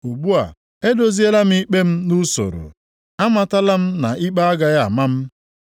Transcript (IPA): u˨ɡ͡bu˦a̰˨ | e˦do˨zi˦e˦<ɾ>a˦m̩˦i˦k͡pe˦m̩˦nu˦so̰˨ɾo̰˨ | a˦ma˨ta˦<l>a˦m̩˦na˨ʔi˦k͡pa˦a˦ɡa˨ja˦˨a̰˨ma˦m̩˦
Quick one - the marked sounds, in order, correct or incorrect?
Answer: incorrect, correct

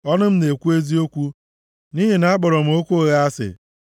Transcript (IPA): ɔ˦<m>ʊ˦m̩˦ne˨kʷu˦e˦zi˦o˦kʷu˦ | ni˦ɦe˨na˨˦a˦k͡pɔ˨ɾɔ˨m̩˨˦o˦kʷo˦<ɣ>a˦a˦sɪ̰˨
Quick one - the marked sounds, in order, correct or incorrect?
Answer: incorrect, correct

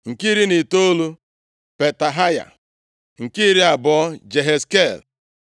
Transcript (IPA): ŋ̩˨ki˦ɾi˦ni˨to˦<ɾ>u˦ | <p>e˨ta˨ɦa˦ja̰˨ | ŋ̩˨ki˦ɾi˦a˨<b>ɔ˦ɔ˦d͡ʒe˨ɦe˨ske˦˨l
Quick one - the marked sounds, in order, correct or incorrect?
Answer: incorrect, correct, correct

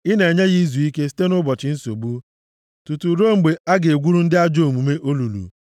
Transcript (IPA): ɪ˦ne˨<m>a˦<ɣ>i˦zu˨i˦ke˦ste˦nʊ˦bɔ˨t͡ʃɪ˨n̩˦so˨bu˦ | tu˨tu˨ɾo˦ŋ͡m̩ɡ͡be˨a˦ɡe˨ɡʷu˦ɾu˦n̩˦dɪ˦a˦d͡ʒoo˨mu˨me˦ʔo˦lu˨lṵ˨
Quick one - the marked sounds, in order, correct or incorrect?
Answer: incorrect, correct

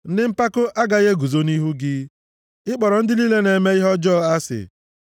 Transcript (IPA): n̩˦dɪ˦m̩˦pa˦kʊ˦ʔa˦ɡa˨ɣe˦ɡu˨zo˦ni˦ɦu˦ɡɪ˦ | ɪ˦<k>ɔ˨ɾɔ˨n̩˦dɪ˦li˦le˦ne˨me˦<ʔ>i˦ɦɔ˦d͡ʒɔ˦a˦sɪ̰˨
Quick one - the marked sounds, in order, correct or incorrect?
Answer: incorrect, incorrect

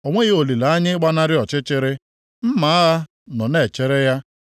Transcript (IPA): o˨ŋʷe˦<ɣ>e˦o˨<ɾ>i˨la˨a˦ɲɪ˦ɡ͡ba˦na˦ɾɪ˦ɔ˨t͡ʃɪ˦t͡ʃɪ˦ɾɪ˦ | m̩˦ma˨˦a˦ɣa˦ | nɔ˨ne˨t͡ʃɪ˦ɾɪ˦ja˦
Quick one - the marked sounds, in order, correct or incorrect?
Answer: correct, incorrect

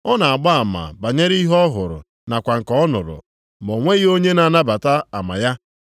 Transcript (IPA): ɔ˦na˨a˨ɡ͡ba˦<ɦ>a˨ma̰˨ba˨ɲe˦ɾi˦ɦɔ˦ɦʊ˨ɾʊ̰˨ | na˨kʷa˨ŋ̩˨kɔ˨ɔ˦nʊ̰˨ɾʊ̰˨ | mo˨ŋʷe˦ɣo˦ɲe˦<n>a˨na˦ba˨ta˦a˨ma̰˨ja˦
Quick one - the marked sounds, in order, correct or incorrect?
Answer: incorrect, correct

